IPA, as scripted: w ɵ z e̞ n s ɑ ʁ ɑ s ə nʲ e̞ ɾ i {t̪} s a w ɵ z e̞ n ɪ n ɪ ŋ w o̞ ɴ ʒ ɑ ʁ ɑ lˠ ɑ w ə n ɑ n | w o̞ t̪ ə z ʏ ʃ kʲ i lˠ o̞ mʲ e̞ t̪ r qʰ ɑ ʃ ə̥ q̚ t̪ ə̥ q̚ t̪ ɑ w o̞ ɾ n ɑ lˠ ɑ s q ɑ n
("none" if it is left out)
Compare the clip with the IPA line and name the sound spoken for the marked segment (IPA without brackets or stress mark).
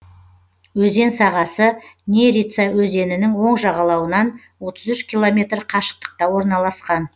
t̪